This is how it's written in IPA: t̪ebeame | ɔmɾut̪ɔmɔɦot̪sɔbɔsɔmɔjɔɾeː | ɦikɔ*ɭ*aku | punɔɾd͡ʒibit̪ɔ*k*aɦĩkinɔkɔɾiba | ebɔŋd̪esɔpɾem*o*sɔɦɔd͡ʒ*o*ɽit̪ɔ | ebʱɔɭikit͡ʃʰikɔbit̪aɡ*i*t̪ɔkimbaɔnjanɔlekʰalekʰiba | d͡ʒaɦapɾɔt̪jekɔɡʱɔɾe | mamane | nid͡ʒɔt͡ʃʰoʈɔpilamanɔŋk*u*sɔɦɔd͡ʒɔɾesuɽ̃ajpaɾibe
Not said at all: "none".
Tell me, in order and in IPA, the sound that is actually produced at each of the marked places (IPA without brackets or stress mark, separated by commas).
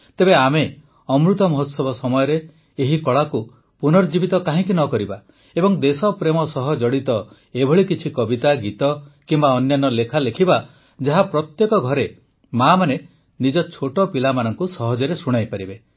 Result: ɭ, k, ɔ, ɔ, i, u